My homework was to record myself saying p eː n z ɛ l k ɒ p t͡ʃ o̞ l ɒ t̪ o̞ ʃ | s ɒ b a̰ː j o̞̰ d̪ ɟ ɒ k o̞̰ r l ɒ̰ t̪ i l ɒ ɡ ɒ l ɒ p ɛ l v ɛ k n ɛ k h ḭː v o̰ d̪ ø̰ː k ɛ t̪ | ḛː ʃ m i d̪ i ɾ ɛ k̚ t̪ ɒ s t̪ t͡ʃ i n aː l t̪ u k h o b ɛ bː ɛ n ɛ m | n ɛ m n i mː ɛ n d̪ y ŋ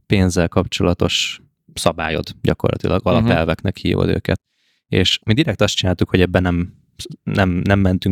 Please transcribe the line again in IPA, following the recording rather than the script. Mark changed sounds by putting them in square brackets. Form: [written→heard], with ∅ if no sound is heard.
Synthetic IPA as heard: p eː n z ɛ l k ɒ p t͡ʃ o̞ l ɒ t̪ o̞ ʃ | s ɒ b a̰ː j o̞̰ d̪ ɟ ɒ k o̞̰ r l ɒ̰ t̪ i l ɒ ɡ ɒ l ɒ p ɛ l v ɛ k n ɛ k h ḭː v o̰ d̪ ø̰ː k ɛ t̪ | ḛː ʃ m i d̪ i ɾ ɛ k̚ t̪ ɒ s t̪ t͡ʃ i n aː l t̪ u k h o [b→ɟ] ɛ bː ɛ n ɛ m | n ɛ m n [i→ɛ] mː ɛ n [d̪→t̪] y ŋ